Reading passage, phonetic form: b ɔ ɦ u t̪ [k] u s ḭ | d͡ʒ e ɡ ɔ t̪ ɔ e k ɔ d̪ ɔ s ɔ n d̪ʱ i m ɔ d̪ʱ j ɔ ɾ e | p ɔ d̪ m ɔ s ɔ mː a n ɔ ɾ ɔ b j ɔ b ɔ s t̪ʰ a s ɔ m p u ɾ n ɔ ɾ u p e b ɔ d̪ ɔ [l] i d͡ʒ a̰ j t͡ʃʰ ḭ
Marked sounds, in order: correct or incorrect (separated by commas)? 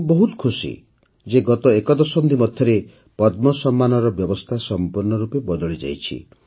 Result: incorrect, incorrect